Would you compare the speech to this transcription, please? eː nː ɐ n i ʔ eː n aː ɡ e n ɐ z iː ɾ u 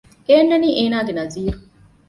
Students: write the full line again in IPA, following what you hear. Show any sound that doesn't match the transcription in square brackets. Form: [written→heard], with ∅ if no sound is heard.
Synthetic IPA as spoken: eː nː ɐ n [i→iː] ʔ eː n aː ɡ e n ɐ z iː ɾ u

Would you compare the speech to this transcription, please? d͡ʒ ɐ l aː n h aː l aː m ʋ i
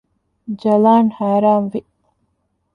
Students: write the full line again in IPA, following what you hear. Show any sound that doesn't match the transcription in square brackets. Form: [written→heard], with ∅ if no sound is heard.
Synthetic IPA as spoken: d͡ʒ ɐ l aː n h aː [l→ɾ] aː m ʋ i

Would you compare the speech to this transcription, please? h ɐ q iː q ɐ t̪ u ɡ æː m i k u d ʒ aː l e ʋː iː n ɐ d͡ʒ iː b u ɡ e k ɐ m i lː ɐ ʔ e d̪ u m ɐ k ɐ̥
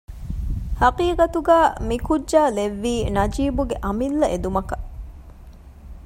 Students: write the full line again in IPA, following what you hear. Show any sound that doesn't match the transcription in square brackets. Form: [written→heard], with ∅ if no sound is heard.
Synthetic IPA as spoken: h ɐ q iː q ɐ t̪ u ɡ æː m i k u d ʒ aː l e ʋː iː n ɐ d͡ʒ iː b u ɡ e [k→ʔ] ɐ m i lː ɐ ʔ e d̪ u m ɐ k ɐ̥

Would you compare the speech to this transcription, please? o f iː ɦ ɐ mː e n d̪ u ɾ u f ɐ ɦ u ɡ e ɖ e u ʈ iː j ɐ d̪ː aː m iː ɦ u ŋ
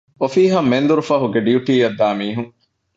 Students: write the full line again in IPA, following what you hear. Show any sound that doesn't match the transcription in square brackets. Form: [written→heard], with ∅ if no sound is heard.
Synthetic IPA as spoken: o f iː ɦ ɐ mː e n d̪ u ɾ u f ɐ ɦ u ɡ e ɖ [e→i] u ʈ iː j ɐ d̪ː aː m iː ɦ u ŋ

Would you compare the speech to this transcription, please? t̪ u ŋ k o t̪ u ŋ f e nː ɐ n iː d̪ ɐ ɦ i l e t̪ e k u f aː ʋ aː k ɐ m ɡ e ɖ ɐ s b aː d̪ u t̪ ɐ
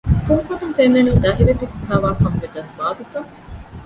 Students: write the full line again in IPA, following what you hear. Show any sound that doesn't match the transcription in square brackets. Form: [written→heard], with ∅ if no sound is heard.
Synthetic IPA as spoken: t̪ u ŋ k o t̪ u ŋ f e nː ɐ n iː d̪ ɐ ɦ i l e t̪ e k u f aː ʋ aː k ɐ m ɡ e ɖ ɐ s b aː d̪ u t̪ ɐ

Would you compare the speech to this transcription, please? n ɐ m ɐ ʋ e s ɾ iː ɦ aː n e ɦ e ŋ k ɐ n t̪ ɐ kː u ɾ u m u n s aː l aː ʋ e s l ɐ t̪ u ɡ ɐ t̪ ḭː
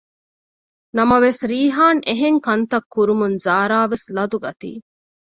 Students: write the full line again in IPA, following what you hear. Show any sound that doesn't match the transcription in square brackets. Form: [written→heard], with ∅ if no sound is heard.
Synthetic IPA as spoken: n ɐ m ɐ ʋ e s ɾ iː ɦ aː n e ɦ e ŋ k ɐ n t̪ ɐ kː u ɾ u m u n [s→z] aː [l→ɾ] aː ʋ e s l ɐ [t̪→d̪] u ɡ ɐ t̪ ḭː

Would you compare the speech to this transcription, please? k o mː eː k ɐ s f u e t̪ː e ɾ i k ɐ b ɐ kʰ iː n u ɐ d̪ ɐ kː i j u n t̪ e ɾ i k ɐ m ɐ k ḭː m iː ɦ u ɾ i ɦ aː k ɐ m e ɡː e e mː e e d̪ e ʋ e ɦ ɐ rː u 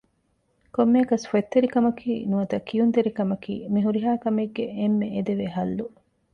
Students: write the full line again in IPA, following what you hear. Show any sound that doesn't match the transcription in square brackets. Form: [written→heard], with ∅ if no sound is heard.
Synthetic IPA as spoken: k o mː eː k ɐ s f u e t̪ː e ɾ i k ɐ [b→m] ɐ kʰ iː n u ɐ [d̪→t̪] ɐ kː i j u n t̪ e ɾ i k ɐ m ɐ k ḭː m [iː→i] ɦ u ɾ i ɦ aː k ɐ m e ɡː e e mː e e d̪ e ʋ e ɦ ɐ [rː→lː] u

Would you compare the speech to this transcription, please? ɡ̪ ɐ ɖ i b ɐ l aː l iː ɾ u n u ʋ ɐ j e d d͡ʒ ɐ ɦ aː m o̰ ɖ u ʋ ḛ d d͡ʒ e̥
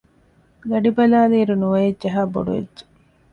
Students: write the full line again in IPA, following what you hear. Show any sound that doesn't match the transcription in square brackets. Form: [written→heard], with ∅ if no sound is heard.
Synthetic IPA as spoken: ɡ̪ ɐ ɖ i b ɐ l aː l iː ɾ u n u ʋ ɐ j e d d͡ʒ ɐ ɦ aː [m→b] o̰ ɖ u ʋ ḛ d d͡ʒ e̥

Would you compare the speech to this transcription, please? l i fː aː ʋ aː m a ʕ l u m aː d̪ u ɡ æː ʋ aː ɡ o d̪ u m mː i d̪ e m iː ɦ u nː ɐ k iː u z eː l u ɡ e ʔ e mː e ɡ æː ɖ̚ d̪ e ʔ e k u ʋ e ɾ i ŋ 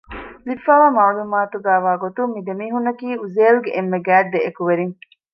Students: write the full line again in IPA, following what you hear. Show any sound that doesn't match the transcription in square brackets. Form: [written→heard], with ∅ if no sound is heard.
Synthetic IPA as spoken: l i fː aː ʋ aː m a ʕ l u m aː [d̪→t̪] u ɡ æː ʋ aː ɡ o [d̪→t̪] u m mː i d̪ e m iː ɦ u nː ɐ k iː u z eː l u ɡ e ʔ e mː e ɡ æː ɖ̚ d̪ e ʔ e k u ʋ e ɾ i ŋ

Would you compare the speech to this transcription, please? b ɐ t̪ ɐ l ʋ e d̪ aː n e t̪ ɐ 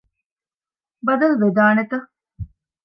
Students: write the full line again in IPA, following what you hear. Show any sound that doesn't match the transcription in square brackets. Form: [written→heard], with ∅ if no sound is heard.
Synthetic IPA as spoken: b ɐ [t̪→d̪] ɐ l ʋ e d̪ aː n e t̪ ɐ

